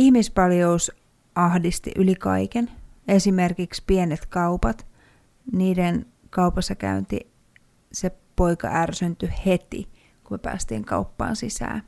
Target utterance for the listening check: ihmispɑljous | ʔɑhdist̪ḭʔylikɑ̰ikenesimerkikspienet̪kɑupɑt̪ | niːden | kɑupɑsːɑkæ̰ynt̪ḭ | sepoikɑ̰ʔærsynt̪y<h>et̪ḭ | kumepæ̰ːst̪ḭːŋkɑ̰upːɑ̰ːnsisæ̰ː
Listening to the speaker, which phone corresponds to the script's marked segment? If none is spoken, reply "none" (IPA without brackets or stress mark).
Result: h